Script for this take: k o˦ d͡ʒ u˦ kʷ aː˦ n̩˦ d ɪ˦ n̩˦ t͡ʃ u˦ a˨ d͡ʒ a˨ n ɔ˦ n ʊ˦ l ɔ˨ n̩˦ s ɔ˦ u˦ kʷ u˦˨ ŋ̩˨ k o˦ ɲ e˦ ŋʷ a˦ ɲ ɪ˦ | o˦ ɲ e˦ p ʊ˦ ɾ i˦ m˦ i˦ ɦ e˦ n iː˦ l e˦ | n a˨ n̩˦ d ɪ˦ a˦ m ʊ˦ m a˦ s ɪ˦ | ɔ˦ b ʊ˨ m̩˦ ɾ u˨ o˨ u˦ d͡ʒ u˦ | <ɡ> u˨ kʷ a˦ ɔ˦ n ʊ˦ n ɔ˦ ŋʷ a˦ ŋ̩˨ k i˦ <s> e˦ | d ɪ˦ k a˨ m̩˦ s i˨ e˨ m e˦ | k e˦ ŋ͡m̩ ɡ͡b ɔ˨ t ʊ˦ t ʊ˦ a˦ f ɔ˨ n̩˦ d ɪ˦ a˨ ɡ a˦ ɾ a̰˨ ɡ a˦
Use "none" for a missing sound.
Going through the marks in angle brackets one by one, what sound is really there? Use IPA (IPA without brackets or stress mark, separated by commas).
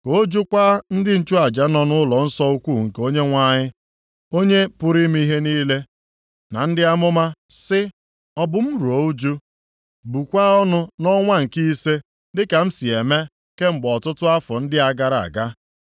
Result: b, s